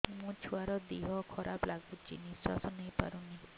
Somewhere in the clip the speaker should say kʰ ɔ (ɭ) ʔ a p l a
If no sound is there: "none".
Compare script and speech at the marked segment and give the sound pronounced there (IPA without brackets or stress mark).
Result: ɾ